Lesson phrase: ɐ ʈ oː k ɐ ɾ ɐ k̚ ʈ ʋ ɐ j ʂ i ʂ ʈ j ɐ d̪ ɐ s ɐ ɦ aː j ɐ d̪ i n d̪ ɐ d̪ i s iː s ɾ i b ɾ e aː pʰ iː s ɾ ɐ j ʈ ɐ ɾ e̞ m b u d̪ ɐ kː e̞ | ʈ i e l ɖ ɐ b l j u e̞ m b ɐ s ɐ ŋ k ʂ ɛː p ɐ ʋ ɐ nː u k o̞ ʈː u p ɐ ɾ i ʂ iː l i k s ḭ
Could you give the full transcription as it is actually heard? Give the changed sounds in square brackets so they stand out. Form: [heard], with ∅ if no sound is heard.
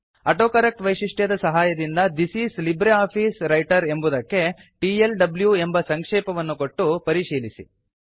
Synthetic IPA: ɐ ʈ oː k ɐ ɾ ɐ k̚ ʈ ʋ ɐ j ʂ i ʂ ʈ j ɐ d̪ ɐ s ɐ ɦ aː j ɐ d̪ i n d̪ ɐ d̪ i s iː s [l] i b ɾ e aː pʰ iː s ɾ ɐ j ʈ ɐ ɾ e̞ m b u d̪ ɐ kː e̞ | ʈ i e l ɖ ɐ b l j u e̞ m b ɐ s ɐ ŋ k ʂ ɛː p ɐ ʋ ɐ nː u k o̞ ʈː u p ɐ ɾ i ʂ iː l i [∅] s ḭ